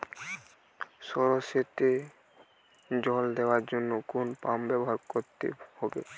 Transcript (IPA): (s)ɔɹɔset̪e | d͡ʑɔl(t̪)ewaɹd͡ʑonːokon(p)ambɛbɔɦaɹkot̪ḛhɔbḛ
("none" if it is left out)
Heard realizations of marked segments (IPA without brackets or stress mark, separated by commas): s, d̪, p